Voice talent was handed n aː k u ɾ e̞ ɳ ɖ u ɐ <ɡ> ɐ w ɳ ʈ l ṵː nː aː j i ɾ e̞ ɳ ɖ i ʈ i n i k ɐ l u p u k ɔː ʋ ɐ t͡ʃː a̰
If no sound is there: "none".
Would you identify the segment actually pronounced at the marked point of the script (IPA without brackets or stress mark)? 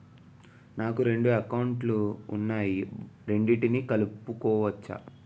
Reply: k